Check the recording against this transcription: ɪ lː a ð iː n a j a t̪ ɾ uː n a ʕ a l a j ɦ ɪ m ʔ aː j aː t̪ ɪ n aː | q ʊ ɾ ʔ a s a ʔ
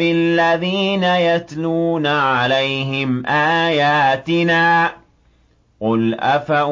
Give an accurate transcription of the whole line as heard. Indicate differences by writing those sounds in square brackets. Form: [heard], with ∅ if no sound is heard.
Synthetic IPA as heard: ɪ lː a ð iː n a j a t̪ [l] uː n a ʕ a l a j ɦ ɪ m ʔ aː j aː t̪ ɪ n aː | q ʊ [l] ʔ a [f] a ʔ